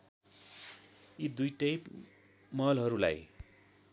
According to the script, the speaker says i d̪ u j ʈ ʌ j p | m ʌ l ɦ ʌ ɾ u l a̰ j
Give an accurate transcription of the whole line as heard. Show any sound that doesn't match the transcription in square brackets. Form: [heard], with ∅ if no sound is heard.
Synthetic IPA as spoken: i d̪ u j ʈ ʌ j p | m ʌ l ɦ ʌ ɾ u l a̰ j